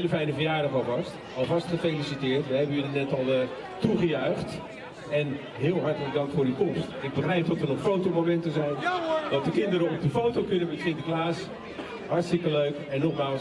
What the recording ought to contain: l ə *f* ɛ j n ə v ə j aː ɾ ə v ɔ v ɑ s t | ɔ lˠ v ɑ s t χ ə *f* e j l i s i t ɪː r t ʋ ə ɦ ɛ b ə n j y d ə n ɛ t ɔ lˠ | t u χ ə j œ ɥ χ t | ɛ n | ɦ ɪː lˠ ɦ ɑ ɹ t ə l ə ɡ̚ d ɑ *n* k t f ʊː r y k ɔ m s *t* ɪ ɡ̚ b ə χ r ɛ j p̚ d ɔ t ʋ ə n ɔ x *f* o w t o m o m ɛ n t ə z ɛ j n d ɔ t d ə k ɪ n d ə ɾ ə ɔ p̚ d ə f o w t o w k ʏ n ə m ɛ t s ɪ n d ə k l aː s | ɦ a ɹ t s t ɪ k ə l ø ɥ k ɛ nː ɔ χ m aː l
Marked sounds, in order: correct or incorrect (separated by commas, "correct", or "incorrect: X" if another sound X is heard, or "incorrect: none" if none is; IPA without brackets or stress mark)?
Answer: correct, correct, incorrect: ŋ, correct, correct